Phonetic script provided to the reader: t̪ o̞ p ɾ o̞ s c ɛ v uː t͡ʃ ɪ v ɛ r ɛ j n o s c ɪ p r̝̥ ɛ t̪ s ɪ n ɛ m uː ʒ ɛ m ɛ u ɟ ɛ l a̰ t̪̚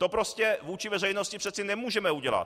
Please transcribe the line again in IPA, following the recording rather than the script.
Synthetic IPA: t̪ o̞ p ɾ o̞ s c ɛ v uː t͡ʃ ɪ v ɛ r ɛ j n o s c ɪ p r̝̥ ɛ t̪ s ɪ n ɛ m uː ʒ ɛ m ɛ u ɟ ɛ l a̰ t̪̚